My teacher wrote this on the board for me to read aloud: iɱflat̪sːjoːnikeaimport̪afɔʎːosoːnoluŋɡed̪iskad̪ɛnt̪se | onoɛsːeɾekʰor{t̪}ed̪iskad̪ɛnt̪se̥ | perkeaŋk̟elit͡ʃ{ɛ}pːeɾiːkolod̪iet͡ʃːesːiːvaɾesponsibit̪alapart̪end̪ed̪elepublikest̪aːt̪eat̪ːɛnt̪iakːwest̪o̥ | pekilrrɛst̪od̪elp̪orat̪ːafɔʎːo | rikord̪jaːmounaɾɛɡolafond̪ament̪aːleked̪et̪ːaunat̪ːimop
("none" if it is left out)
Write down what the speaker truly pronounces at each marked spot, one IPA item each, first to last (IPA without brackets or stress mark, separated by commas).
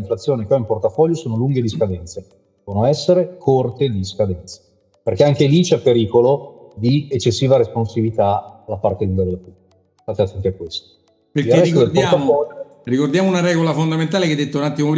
t̪, ɛ